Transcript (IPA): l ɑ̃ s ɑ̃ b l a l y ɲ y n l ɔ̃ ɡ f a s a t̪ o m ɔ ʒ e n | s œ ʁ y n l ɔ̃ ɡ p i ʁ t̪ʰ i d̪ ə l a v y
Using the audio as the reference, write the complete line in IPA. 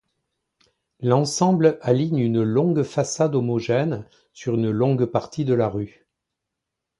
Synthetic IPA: l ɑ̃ s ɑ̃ b l a l i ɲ y n l ɔ̃ ɡ f a s a d̪ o m ɔ ʒ ɛ n | s y ʁ y n l ɔ̃ ɡ p a ʁ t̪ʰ i d̪ ə l a ʁ y